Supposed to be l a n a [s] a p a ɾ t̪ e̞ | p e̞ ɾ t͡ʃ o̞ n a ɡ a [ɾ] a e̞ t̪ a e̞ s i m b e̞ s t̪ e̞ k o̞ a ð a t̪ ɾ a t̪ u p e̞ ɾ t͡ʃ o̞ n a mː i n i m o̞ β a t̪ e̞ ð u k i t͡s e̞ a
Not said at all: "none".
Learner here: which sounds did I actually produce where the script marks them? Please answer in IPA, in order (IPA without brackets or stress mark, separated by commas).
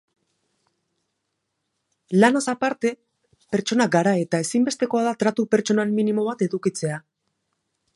s, ɾ